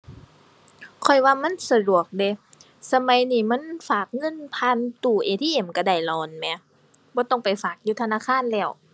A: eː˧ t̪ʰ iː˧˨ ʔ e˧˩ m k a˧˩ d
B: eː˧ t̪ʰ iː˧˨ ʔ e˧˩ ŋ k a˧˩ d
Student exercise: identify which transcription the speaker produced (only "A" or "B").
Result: A